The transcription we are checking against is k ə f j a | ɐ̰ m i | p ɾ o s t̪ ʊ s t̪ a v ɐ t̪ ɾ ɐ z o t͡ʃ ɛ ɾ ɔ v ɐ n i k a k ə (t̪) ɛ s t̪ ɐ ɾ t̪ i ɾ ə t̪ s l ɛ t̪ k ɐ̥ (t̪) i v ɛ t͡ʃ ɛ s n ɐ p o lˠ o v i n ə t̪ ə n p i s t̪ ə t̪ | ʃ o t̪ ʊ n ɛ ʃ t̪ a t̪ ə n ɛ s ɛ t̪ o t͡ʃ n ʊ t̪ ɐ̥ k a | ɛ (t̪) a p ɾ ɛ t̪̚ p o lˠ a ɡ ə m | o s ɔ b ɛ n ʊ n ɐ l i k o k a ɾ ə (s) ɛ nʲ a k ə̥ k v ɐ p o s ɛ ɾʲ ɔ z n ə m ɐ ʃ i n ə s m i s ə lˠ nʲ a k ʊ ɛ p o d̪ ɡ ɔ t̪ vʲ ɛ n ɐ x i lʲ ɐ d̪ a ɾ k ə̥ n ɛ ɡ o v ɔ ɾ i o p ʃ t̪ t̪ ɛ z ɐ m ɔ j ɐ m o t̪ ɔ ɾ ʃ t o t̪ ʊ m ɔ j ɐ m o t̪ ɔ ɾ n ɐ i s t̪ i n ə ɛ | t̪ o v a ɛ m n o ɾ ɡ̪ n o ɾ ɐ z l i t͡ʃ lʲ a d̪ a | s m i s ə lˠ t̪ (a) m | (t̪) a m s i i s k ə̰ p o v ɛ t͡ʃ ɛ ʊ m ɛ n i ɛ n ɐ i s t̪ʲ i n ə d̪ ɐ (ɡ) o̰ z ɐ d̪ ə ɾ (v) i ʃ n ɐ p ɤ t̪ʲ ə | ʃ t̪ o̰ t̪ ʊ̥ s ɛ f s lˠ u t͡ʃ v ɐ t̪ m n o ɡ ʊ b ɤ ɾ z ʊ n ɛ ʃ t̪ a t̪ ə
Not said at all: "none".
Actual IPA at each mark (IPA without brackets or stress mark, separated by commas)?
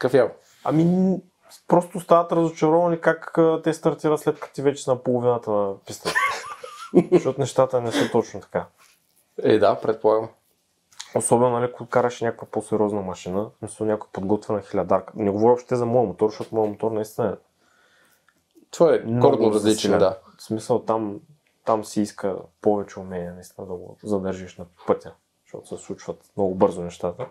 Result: t̪, t̪, d̪, ʃ, a, t̪, ɡ, ʒ